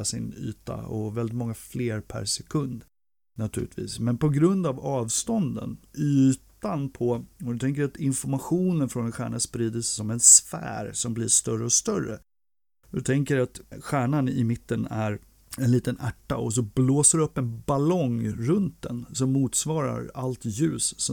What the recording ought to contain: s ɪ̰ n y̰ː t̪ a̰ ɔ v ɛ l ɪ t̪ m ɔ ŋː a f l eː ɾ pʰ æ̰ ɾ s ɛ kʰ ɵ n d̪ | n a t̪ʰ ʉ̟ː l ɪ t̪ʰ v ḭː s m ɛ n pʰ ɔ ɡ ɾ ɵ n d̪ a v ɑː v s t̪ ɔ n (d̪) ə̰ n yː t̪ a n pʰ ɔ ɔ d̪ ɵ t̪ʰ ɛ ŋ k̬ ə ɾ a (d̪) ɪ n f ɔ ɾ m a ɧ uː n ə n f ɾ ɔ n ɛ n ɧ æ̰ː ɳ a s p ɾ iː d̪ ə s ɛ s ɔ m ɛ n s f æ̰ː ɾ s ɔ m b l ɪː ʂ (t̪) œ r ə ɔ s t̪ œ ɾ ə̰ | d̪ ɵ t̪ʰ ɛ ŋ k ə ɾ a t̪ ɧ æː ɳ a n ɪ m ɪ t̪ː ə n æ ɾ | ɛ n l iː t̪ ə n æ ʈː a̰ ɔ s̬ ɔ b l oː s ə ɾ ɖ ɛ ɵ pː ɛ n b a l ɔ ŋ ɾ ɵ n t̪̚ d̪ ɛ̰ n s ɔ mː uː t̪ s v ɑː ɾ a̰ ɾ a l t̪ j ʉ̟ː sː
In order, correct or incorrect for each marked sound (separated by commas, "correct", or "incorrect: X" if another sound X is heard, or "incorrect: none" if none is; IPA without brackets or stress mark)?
correct, incorrect: t̪, correct